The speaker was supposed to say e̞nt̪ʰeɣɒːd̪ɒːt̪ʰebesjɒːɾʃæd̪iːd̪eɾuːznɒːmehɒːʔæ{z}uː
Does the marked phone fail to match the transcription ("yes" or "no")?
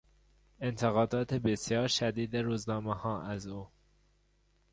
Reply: no